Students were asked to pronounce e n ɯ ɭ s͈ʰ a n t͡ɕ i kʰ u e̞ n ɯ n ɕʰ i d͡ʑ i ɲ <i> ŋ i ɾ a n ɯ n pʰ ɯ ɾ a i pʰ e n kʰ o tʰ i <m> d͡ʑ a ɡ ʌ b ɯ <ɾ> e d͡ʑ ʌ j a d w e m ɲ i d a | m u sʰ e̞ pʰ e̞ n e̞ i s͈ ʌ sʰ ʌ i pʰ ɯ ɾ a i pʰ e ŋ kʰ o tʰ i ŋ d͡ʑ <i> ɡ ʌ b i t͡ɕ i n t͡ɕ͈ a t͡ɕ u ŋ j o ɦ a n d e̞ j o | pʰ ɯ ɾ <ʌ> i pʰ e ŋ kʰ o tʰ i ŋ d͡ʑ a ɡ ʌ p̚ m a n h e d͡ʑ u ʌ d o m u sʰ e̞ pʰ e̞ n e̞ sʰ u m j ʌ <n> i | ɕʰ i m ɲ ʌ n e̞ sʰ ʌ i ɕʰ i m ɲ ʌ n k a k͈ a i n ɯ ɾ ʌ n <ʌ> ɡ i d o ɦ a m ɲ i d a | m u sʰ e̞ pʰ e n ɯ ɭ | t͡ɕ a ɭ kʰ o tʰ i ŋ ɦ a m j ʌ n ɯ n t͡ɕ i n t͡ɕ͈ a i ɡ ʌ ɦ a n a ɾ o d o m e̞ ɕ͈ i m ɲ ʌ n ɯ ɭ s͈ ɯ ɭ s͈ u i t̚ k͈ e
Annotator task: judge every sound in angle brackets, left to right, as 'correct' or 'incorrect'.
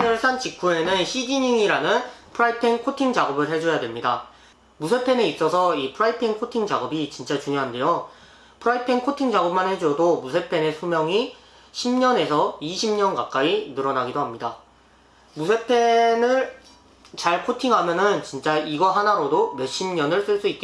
correct, incorrect: ŋ, incorrect: ɭ, incorrect: a, incorrect: a, incorrect: ŋ, incorrect: a

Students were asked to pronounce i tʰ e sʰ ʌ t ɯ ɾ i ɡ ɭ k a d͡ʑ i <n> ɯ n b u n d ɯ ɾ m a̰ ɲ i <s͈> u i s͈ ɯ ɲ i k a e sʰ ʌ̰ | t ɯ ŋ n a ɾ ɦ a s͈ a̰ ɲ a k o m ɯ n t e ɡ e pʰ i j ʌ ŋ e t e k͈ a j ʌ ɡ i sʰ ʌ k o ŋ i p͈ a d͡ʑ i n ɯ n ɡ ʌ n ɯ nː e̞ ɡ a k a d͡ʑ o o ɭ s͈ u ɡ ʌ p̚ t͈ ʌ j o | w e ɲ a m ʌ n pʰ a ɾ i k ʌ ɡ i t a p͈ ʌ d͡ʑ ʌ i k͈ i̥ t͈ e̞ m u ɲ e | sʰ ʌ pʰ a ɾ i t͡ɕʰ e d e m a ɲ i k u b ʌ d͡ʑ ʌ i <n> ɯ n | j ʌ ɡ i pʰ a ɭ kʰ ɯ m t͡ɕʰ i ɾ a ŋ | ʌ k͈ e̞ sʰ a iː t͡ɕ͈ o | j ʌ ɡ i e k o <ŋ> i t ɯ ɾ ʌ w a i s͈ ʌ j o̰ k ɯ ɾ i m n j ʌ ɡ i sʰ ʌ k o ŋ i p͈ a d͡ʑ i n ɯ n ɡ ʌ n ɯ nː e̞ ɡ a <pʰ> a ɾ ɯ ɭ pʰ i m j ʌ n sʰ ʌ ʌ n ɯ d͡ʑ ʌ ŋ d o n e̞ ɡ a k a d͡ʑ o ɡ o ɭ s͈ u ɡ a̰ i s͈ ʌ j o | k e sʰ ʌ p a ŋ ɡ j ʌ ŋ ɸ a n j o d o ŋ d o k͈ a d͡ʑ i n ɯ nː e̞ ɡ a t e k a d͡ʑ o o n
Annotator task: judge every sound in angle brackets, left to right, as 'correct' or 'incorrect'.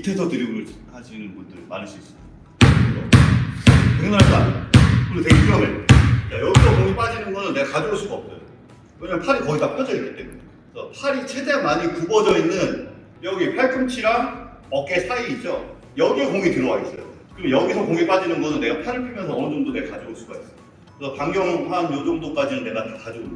correct, correct, incorrect: nː, correct, correct

